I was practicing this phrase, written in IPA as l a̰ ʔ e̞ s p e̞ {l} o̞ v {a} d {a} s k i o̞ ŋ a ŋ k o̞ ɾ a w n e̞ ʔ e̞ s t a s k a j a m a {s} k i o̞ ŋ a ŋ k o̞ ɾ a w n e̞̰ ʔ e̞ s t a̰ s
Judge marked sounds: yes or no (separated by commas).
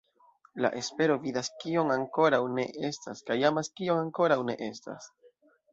no, no, yes, yes